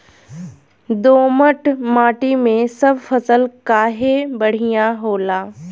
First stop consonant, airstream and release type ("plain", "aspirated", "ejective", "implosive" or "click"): plain